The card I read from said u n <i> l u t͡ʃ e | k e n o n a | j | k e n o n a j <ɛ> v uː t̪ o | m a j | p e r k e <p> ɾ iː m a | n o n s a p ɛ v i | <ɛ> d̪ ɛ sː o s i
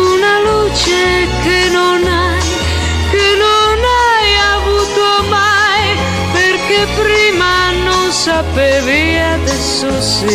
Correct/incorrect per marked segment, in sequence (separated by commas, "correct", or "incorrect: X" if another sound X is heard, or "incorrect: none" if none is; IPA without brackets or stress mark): incorrect: a, incorrect: a, correct, incorrect: a